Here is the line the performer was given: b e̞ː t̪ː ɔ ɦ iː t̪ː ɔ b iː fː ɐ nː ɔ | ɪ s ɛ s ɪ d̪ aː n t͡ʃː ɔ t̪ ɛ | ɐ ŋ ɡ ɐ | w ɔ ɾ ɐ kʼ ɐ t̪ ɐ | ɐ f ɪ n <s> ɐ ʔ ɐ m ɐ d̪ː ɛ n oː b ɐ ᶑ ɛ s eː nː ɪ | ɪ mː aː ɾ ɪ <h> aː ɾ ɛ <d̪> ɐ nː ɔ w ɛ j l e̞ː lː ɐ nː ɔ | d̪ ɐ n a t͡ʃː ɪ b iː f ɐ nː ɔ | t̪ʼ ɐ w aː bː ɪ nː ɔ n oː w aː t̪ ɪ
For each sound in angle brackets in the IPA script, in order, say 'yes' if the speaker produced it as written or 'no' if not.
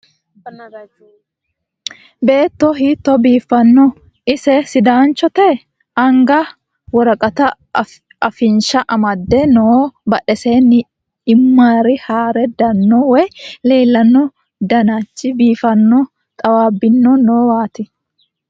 no, yes, yes

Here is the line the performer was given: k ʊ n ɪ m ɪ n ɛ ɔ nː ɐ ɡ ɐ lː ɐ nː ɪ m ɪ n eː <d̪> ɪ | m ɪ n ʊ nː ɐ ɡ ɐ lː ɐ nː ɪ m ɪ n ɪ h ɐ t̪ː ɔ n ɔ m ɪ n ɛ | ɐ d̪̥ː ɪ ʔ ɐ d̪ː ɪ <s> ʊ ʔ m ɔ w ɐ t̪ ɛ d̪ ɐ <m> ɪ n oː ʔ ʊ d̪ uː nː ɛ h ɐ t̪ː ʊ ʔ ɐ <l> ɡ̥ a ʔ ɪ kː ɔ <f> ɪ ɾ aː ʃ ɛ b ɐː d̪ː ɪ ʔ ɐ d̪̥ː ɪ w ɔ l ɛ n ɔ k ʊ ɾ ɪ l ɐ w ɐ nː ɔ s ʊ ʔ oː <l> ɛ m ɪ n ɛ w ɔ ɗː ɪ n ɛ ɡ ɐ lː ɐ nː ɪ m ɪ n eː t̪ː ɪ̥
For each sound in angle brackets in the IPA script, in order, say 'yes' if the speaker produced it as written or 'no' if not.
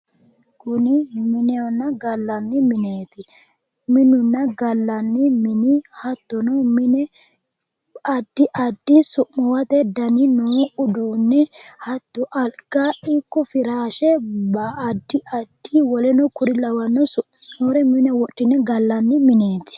no, yes, no, yes, yes, no

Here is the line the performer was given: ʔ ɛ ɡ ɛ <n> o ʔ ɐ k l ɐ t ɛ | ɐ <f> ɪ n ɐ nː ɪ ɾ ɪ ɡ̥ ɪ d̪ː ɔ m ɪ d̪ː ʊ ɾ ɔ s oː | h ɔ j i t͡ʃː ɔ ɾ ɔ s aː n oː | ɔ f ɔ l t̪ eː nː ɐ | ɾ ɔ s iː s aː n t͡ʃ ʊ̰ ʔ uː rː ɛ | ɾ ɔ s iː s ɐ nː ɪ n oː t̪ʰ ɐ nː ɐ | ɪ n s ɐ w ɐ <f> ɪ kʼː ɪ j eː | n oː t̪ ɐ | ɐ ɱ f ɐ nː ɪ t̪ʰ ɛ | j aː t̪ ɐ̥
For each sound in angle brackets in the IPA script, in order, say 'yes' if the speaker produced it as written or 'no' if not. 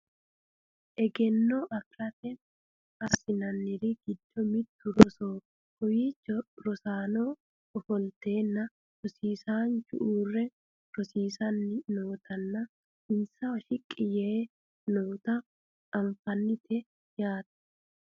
no, no, no

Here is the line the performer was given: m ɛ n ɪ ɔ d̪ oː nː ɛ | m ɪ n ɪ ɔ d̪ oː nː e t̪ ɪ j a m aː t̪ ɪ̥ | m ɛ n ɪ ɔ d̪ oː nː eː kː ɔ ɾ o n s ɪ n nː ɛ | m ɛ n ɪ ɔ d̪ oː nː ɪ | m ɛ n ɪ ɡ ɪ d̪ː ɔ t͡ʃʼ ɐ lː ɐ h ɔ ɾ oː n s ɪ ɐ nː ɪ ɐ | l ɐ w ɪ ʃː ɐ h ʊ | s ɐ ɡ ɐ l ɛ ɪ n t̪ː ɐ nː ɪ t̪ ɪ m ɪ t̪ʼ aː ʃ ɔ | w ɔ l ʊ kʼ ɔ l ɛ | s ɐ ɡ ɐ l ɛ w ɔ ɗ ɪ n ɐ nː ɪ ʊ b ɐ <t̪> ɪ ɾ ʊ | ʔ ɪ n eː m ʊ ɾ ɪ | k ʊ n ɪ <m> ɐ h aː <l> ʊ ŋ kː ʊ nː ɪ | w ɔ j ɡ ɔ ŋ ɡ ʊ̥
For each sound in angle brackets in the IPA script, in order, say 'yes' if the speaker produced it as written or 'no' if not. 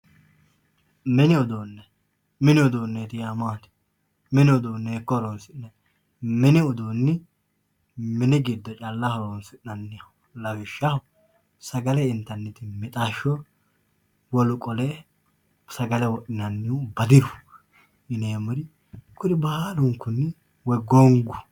no, no, yes

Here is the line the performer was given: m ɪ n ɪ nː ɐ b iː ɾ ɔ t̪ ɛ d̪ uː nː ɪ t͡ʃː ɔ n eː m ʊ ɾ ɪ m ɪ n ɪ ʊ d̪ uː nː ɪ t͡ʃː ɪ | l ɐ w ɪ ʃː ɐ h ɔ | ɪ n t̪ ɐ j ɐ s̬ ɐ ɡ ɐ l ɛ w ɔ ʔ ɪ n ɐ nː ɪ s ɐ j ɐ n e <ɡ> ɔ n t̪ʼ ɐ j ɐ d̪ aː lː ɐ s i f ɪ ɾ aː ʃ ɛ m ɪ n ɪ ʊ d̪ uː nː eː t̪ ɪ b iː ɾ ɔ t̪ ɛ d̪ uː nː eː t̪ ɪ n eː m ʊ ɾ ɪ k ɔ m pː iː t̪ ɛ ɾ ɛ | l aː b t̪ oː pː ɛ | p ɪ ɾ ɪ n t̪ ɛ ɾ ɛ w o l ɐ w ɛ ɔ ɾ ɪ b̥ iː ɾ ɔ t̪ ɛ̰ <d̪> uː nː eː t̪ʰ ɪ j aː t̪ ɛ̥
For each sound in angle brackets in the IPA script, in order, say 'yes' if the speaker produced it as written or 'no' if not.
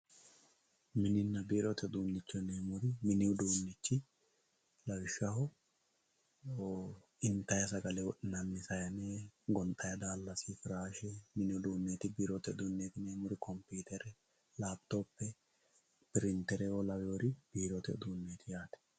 yes, yes

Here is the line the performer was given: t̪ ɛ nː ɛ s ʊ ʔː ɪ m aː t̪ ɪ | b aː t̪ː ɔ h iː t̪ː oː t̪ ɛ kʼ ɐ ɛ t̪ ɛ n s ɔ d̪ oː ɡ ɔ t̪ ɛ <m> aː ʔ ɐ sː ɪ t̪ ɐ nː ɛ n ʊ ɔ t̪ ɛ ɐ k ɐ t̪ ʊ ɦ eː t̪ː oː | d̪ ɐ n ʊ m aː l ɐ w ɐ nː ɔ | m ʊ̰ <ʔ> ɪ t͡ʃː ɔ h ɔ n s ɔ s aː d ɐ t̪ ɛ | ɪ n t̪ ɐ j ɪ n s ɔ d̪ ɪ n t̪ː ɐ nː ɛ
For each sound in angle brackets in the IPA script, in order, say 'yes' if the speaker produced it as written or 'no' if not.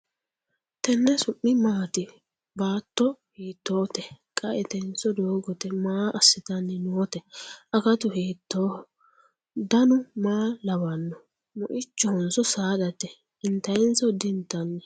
yes, yes

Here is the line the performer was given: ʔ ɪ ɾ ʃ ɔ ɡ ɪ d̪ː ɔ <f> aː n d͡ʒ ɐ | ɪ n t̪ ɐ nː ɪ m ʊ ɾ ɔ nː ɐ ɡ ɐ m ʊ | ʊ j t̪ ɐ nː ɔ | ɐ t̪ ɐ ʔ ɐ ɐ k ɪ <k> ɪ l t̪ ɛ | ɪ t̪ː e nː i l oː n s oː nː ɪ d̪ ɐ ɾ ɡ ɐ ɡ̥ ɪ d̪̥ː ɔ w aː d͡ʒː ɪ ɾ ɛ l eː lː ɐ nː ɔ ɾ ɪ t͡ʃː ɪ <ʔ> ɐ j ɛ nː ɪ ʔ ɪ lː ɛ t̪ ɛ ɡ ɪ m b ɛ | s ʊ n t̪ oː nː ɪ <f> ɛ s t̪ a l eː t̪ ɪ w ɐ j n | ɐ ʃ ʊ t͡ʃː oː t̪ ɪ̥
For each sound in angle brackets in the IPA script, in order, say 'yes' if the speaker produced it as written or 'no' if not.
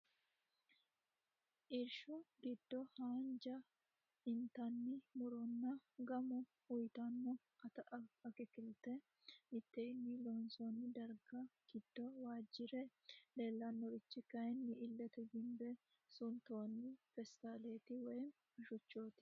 no, yes, no, yes

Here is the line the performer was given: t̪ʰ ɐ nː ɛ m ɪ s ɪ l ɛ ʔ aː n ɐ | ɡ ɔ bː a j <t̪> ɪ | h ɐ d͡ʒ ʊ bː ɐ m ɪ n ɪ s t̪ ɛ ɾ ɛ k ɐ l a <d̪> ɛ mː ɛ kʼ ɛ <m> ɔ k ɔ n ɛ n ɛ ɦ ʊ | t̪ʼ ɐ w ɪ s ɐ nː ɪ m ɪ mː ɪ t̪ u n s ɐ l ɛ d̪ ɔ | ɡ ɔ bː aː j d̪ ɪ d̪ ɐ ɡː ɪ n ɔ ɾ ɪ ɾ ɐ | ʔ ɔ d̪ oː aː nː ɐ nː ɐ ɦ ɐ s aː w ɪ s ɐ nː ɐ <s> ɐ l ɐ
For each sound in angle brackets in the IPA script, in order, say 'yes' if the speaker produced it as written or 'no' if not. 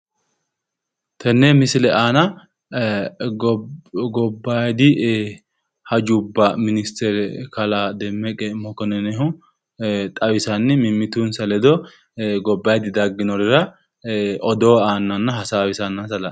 no, yes, yes, yes

